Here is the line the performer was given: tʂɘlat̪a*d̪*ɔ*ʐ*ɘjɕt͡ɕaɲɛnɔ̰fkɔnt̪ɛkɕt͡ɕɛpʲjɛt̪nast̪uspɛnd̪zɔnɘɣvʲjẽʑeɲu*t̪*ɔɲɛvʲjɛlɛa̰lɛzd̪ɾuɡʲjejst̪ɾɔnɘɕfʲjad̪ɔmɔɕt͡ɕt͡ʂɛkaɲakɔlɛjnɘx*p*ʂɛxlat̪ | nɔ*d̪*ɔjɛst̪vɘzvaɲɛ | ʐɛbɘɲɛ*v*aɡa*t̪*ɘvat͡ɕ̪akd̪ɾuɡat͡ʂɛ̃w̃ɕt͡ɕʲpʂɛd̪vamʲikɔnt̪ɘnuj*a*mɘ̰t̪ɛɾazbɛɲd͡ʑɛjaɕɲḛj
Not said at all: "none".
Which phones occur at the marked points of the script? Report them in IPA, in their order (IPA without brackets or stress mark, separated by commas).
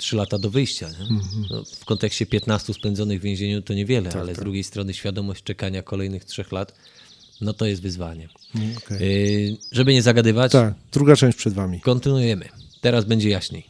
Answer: d̪, v, t̪, t, t̪, z, d̪, ɛ